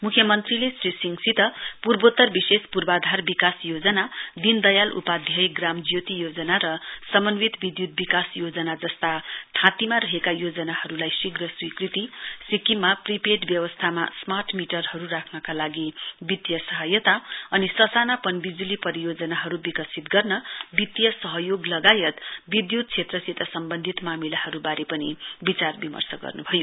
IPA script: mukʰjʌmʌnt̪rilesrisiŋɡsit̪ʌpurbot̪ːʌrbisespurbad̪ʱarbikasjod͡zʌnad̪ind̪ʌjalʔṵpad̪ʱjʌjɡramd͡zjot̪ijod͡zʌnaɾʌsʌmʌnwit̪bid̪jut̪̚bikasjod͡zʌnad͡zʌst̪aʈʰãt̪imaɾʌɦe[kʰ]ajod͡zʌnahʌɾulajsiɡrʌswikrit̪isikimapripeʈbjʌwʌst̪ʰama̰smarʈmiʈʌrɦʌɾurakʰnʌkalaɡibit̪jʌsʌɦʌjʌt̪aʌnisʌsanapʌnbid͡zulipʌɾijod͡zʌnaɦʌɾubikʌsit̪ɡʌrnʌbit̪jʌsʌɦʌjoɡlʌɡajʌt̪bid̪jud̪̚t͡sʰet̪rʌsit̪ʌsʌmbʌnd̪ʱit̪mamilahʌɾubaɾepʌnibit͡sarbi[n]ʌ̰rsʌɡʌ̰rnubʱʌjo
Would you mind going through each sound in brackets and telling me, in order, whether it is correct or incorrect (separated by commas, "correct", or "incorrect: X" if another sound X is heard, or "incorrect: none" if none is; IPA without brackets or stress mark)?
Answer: incorrect: k, incorrect: m